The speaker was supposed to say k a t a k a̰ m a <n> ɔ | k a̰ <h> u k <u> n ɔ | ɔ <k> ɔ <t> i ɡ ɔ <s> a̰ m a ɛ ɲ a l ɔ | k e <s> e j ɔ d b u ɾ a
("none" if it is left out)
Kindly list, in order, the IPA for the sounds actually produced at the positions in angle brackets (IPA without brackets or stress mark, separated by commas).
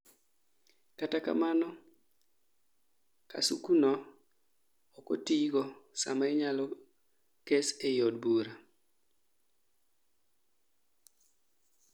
n, s, u, k, t, s, s